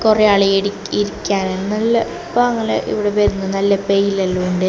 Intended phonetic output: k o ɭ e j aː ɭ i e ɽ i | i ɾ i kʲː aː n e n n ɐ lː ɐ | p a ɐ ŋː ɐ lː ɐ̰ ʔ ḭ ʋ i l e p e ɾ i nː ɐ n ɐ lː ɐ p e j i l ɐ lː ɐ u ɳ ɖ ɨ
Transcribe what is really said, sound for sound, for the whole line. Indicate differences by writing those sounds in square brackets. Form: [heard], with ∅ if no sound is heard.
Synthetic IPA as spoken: k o [r] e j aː ɭ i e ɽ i | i ɾ i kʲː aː n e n n ɐ lː ɐ | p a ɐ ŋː ɐ [l] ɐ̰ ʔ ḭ ʋ i [ɽ] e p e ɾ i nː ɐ n ɐ lː ɐ p e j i l ɐ lː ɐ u ɳ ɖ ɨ